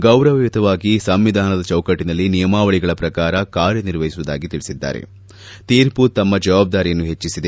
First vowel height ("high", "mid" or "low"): low